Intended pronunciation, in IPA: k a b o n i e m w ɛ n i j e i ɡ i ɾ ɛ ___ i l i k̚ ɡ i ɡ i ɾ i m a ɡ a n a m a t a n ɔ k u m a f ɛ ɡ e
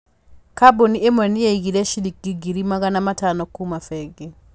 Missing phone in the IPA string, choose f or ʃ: ʃ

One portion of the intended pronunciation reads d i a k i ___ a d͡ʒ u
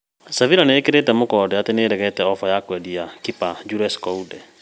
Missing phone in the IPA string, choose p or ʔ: p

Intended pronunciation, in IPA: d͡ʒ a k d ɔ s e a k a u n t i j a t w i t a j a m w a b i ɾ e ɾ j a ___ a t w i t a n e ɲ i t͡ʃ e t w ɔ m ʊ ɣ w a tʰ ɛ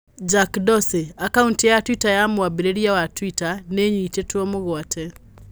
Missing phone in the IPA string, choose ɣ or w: w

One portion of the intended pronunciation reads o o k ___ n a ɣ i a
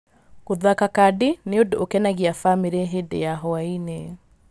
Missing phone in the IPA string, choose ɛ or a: ɛ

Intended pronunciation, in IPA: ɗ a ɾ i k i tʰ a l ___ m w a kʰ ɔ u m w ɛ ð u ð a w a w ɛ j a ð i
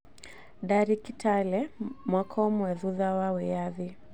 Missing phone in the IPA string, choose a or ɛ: ɛ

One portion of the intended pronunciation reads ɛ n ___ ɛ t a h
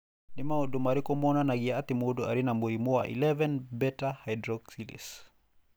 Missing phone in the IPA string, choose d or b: b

